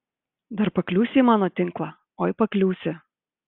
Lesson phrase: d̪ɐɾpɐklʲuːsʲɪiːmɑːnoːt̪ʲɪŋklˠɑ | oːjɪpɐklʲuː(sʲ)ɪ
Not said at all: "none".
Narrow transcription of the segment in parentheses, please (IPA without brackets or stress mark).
sʲ